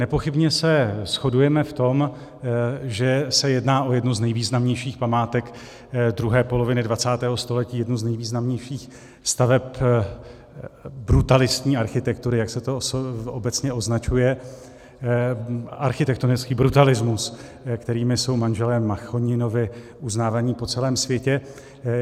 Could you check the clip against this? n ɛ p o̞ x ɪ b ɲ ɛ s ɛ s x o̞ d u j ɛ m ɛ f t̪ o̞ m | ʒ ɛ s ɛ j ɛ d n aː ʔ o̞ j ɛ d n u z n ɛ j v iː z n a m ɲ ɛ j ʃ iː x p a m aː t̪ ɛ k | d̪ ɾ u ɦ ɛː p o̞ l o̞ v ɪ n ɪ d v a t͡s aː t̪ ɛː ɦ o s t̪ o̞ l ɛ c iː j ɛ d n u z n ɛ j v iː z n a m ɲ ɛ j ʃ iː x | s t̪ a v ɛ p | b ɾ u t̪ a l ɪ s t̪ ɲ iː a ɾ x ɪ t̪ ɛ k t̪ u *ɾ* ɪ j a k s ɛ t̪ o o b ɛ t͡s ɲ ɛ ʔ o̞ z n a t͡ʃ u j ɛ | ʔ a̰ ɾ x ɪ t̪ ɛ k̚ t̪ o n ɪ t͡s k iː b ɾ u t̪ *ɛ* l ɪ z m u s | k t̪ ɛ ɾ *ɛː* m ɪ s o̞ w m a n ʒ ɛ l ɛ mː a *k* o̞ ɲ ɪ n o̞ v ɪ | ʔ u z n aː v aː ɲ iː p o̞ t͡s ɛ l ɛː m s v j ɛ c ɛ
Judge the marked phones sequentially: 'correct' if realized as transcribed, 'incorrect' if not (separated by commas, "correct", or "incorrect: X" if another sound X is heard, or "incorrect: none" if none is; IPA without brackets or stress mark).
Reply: correct, incorrect: a, incorrect: iː, incorrect: x